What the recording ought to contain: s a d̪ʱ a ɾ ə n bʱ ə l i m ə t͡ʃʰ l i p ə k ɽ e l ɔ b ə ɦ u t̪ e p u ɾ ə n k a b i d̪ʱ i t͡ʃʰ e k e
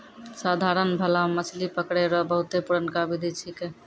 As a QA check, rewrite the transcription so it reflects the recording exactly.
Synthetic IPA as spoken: s a d̪ʱ a ɾ ə n bʱ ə l a m ə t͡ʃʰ l i p ə k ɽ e ɾ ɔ b ə ɦ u t̪ e p u ɾ ə n k a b i d̪ʱ i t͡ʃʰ i k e